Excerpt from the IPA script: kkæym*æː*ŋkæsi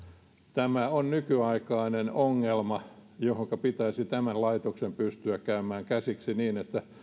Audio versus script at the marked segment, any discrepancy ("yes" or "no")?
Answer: no